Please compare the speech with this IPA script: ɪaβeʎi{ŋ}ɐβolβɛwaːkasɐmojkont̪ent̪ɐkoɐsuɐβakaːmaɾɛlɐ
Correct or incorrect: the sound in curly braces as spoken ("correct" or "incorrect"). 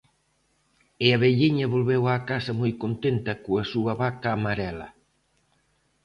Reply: incorrect